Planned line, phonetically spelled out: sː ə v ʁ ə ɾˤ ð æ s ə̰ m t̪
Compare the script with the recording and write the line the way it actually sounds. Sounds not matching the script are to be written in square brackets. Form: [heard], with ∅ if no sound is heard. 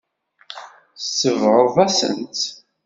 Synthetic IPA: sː ə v ʁ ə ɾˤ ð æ s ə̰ [n] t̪